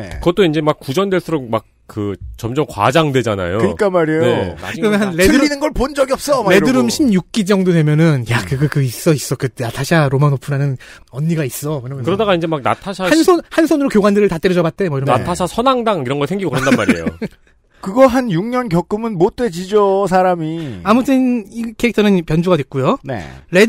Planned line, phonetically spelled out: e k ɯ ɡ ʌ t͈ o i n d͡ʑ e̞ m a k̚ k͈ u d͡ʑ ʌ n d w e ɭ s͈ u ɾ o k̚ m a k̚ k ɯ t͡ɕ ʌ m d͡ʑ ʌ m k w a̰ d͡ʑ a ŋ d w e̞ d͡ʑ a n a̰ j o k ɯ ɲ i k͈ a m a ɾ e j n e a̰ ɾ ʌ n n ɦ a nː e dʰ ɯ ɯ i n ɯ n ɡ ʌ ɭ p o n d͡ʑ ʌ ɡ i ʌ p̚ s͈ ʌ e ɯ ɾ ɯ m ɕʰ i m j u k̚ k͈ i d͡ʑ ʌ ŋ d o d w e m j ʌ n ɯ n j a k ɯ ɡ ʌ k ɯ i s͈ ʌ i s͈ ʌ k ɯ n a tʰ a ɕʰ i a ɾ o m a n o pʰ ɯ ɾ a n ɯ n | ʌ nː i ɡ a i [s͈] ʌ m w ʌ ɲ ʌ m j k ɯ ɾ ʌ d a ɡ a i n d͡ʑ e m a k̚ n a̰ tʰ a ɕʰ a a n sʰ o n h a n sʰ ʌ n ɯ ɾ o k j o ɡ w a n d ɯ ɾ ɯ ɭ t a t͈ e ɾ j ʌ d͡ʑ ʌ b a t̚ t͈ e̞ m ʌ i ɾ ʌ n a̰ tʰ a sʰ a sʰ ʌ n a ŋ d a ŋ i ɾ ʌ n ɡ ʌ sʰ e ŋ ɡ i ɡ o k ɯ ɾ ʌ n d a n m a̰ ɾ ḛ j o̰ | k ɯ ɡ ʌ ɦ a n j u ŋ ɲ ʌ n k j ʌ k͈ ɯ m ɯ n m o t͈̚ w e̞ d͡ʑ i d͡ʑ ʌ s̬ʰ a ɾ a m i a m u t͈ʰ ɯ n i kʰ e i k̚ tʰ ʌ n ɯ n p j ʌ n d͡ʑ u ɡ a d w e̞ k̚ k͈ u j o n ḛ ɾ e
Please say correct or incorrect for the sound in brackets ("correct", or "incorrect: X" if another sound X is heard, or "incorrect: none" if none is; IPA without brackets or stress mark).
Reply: correct